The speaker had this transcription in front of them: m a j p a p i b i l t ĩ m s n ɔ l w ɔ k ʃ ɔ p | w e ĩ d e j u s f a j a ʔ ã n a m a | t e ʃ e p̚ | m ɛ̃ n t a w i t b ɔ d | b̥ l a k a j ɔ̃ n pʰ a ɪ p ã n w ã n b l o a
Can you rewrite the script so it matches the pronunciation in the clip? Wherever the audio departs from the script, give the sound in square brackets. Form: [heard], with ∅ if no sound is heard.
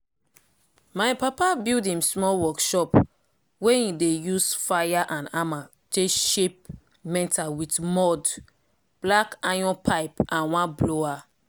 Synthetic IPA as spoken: m a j p a p [a] b i l [d] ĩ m s [m] ɔ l w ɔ k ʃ ɔ p | w e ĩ d e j u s f a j a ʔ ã n a m a | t e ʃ e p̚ | m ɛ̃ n t a w i t [m] ɔ d | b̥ l a k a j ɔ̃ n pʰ a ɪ p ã n w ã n b l o a

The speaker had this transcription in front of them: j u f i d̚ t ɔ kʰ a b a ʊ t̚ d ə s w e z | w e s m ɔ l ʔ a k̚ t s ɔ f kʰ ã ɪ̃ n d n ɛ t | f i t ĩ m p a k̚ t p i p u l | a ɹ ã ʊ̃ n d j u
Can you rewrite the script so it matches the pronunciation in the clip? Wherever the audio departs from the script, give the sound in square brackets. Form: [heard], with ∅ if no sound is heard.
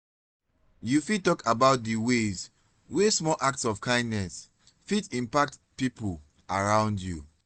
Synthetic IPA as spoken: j u f i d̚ t ɔ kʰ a b a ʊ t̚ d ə [∅] w e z | w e s m ɔ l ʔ a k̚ t s ɔ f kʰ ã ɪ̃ n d n ɛ [s] | f i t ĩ m p a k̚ t p i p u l | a ɹ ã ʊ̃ n d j u

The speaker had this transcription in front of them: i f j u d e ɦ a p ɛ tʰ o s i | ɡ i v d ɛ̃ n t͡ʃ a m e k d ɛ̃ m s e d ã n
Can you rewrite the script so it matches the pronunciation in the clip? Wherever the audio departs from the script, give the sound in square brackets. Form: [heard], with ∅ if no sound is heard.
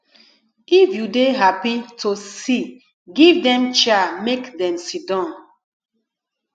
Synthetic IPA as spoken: i f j u d e ɦ a p [i] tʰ o s i | ɡ i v d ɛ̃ [m] t͡ʃ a m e k d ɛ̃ m s [i] d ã n

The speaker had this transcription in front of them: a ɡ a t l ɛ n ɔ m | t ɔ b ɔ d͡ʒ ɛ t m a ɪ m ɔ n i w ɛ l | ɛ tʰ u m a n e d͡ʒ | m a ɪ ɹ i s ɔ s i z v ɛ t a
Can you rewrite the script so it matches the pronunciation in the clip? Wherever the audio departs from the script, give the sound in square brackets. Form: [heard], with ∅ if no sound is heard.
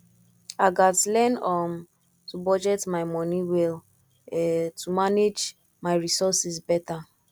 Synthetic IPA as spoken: a ɡ a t l ɛ n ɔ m | t [u] b ɔ d͡ʒ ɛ t m a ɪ m ɔ n i w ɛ l | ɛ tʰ u m a n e d͡ʒ | m a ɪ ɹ i s ɔ s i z [b] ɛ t a

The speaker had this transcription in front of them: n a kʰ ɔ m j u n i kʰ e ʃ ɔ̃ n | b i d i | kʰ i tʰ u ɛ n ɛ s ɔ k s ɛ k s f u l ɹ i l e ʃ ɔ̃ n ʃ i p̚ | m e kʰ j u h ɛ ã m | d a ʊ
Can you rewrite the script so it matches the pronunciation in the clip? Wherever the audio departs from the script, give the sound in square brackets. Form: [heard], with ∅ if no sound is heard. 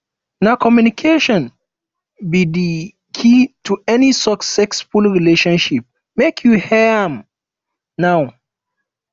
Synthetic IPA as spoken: n a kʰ ɔ m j u n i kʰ e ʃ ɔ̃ n | b i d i | kʰ i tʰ u ɛ n [i] s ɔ k s ɛ k s f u l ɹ i l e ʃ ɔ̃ n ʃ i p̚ | m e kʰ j u h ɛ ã m | [n] a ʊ

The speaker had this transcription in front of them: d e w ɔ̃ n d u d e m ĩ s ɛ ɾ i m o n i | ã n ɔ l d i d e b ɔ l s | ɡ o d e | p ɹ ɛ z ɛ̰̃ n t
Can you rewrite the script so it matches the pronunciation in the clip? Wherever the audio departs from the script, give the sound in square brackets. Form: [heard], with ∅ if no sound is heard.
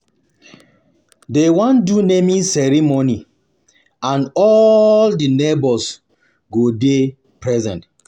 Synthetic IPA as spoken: d e w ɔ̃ n d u [n] e m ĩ s ɛ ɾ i m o n i | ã n ɔ l d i [n] e b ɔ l s | ɡ o d e | p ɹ ɛ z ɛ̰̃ n t

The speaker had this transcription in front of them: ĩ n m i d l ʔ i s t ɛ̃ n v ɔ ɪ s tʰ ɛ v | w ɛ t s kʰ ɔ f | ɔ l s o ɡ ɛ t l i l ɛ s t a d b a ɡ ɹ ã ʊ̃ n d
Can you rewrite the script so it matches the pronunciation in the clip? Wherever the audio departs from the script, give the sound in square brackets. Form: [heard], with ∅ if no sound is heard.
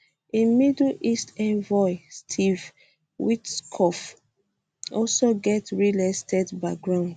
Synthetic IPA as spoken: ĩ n m i d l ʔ i s t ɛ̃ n v ɔ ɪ s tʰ [i] v | w [i] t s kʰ ɔ f | ɔ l s o ɡ ɛ t [ɹ] i l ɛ s t [ɛ] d b a ɡ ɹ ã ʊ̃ n d

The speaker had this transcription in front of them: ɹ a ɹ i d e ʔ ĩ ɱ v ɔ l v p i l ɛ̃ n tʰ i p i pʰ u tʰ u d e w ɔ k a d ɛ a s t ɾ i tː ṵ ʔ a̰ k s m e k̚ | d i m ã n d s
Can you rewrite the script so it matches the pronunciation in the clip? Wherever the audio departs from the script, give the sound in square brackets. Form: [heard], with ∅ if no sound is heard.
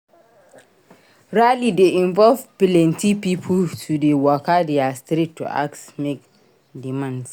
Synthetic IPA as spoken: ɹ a [l] i d e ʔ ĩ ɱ v ɔ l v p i l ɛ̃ n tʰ i p i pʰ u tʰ u d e w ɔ k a d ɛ a s t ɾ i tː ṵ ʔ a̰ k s m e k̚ | d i m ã n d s

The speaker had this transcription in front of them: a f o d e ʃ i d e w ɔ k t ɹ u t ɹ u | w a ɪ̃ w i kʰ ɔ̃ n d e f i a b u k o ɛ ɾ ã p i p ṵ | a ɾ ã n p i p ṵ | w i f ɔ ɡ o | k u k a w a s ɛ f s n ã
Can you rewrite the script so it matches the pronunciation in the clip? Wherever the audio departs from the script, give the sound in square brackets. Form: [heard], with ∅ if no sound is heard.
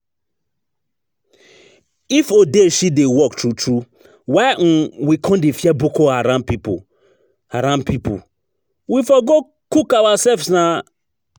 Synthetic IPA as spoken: [i] f o d e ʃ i d e w ɔ k t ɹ u t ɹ u | w a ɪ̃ w i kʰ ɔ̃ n d e f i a b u k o [a] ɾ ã p i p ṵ | a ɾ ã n p i p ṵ | w i f ɔ ɡ o | k u k a w a s ɛ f s n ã

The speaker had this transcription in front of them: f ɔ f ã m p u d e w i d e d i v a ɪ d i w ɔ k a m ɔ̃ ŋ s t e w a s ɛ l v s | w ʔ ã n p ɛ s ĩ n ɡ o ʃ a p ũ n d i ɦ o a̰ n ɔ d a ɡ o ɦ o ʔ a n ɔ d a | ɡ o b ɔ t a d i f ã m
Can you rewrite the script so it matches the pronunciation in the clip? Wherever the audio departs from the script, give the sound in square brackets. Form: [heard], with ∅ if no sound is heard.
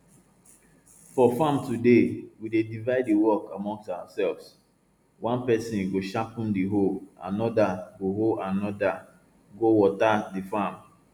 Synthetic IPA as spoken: f ɔ f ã m [t] u d e w i d e d i v a ɪ d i w ɔ k a m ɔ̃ ŋ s t [a] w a s ɛ l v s | w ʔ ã n p ɛ s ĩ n ɡ o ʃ a p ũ n d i ɦ o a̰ n ɔ d a ɡ o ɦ o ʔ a n ɔ d a | ɡ o [w] ɔ t a d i f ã m

